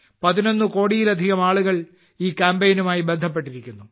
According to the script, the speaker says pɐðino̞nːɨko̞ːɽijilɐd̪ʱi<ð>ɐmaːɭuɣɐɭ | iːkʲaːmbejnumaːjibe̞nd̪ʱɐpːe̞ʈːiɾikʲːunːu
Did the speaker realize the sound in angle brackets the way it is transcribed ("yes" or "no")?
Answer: no